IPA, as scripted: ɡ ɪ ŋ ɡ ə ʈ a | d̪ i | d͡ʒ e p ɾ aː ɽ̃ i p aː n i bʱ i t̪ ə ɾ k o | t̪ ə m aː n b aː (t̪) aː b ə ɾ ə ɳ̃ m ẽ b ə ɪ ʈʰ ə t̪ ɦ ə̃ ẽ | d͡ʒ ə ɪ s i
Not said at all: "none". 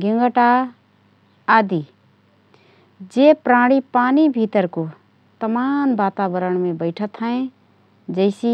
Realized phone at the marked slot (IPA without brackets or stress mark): t̪